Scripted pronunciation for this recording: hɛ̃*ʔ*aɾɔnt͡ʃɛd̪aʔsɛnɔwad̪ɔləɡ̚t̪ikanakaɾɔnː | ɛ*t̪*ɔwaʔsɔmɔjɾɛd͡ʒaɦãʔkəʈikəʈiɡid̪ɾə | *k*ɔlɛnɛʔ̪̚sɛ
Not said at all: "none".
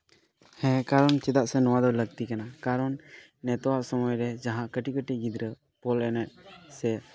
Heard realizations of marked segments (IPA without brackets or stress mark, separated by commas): k, t̪, p